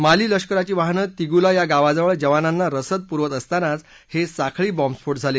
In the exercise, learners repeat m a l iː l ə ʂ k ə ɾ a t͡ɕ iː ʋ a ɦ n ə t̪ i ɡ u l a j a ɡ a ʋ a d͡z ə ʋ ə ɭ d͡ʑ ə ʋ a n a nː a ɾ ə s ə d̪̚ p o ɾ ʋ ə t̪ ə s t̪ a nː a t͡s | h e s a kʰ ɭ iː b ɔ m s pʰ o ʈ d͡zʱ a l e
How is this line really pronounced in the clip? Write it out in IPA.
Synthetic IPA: m a l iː l ə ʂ k ə ɾ a t͡ɕ iː ʋ a ɦ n ə t̪ i ɡ u l a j a ɡ a ʋ a d͡z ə ʋ ə ɭ d͡ʑ ə ʋ a n a nː a ɾ ə s ə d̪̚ p u ɾ ʋ ə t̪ ə s t̪ a n a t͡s | h e s a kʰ ɭ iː b ɔ m s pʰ o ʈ d͡zʱ a l e